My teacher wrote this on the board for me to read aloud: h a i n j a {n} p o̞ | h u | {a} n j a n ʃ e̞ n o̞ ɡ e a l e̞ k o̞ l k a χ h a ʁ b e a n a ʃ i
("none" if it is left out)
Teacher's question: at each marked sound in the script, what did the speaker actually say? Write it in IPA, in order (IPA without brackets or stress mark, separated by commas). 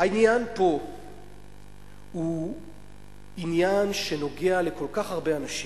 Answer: n, i